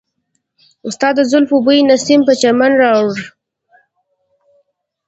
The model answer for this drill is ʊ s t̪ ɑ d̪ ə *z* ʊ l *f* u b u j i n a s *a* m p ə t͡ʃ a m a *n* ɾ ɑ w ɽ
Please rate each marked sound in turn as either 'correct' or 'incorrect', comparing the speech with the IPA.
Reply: correct, correct, incorrect, correct

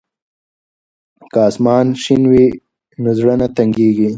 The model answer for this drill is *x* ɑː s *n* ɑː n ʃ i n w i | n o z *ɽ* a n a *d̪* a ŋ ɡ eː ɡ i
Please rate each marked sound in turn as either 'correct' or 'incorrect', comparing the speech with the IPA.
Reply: incorrect, incorrect, correct, incorrect

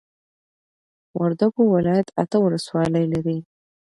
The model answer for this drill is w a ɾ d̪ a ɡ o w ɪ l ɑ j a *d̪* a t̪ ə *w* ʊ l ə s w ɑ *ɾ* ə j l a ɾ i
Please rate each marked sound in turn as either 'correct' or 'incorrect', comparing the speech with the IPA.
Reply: incorrect, correct, incorrect

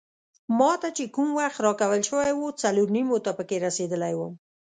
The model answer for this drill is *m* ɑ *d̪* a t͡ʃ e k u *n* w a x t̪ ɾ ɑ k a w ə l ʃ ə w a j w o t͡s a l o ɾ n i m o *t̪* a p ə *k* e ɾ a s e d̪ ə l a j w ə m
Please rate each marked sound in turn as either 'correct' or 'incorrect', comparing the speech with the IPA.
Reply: correct, incorrect, incorrect, correct, correct

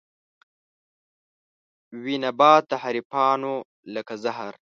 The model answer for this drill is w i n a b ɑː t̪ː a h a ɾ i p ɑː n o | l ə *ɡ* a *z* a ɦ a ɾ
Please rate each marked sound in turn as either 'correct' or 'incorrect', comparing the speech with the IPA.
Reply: incorrect, correct

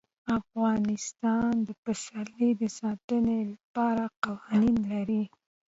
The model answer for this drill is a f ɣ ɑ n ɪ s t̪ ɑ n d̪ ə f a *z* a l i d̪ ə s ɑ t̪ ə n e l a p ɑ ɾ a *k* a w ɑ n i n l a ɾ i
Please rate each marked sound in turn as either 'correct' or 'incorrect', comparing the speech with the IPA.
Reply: incorrect, incorrect

